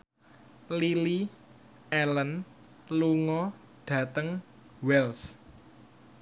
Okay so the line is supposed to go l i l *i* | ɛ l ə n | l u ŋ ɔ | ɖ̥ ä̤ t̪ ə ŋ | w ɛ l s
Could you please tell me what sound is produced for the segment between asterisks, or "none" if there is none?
i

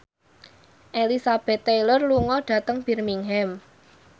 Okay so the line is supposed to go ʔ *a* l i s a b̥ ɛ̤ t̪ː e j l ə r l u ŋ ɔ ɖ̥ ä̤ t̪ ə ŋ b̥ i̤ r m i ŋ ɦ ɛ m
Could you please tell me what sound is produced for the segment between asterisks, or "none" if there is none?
e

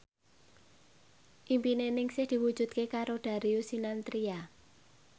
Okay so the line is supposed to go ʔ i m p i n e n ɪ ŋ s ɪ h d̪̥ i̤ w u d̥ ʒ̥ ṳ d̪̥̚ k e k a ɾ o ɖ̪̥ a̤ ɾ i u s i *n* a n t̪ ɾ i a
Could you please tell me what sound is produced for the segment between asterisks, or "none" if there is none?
n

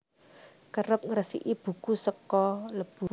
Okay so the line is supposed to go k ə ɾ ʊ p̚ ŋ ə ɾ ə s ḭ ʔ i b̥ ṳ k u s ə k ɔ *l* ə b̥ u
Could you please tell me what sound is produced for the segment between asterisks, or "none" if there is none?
l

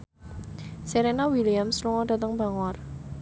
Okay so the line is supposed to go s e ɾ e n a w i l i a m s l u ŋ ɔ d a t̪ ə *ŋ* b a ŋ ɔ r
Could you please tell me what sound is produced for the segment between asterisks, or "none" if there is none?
ŋ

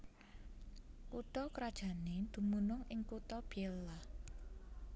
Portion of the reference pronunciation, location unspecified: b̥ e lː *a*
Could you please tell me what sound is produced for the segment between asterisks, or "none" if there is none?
a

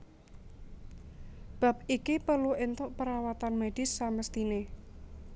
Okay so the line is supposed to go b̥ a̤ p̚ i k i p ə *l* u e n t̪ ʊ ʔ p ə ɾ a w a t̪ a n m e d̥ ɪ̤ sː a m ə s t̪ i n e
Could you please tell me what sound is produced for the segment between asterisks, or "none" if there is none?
l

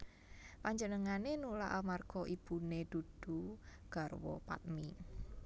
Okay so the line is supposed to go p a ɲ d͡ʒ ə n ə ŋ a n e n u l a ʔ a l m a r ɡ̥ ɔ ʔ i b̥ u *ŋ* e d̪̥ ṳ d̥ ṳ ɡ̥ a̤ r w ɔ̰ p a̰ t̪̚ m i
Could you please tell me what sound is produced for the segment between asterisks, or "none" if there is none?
n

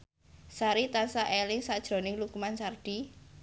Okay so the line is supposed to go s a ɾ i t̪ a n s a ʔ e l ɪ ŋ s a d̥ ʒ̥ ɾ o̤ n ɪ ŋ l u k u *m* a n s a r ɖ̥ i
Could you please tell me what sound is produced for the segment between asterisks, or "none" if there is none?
m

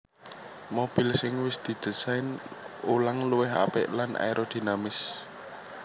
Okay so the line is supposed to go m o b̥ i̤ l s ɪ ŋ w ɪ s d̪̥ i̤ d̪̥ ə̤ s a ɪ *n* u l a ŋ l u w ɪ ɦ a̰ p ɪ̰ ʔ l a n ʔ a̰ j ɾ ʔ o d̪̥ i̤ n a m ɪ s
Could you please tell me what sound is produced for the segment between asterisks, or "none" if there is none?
n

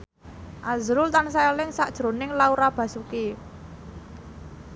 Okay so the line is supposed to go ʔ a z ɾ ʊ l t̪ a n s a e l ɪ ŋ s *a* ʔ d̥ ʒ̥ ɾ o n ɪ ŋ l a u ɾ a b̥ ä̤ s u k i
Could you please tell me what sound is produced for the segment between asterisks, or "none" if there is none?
a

